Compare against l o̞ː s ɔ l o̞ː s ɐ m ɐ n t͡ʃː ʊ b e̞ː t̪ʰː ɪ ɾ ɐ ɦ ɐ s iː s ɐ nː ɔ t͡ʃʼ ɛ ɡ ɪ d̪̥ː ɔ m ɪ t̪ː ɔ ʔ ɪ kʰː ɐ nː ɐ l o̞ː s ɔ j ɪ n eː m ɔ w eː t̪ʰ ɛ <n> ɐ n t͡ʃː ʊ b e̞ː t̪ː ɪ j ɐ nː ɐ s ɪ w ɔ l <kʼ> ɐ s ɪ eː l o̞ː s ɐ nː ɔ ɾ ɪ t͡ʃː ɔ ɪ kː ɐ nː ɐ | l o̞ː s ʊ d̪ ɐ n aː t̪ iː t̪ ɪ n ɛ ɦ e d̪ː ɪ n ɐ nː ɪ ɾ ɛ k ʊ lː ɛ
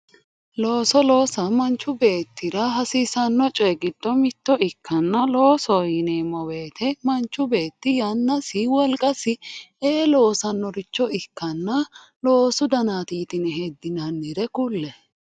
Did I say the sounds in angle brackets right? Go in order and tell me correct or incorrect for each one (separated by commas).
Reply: incorrect, correct